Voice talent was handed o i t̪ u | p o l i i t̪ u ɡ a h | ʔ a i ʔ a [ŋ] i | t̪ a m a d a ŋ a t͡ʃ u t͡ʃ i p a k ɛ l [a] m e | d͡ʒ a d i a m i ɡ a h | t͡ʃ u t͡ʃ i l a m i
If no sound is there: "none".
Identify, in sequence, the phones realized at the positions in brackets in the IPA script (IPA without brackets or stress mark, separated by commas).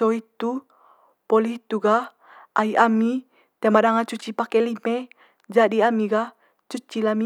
m, i